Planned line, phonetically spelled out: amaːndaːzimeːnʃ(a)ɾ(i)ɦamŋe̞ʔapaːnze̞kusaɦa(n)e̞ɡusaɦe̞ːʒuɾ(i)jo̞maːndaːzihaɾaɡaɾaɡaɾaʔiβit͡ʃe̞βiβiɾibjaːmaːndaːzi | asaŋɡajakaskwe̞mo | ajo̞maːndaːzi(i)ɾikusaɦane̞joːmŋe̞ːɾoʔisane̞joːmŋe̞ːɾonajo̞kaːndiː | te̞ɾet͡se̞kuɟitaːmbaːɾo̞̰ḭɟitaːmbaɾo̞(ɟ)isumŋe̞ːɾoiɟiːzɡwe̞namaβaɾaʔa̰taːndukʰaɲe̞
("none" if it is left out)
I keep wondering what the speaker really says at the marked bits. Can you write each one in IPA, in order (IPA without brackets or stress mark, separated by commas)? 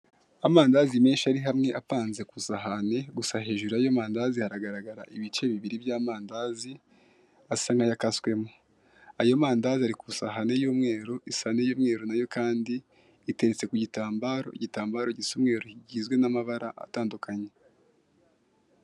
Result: a, i, n, a, a, ɟ